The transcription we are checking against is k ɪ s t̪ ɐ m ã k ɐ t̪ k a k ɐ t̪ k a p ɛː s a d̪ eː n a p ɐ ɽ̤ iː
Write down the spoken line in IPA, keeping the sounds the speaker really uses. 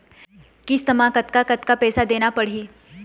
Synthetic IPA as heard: k ɪ s t̪ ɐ m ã k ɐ t̪ k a k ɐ t̪ k a p ɛː s a d̪ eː n a p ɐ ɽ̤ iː